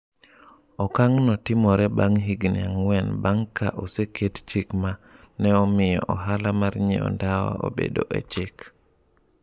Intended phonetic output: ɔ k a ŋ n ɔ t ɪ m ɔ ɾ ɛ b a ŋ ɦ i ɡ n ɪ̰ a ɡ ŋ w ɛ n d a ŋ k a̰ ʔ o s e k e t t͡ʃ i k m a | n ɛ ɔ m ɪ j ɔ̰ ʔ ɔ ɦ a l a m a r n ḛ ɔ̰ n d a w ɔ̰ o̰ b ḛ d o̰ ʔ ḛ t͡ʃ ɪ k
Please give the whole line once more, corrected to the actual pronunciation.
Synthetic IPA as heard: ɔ k a ŋ n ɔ t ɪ m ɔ ɾ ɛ b a ŋ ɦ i ɡ n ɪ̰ a ŋ w ɛ n b a ŋ k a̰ ʔ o s e k e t t͡ʃ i k m a | n ɛ ɔ m ɪ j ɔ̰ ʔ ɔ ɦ a l a m a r ɲ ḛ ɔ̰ n d a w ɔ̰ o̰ b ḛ d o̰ ʔ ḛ t͡ʃ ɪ k